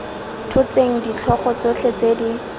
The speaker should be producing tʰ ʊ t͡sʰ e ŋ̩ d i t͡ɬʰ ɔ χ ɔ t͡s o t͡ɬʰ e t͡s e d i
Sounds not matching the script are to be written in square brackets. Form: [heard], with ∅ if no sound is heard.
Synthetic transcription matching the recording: tʰ ʊ [t͡s] e ŋ̩ d i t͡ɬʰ ɔ χ ɔ t͡s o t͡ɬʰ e t͡s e d i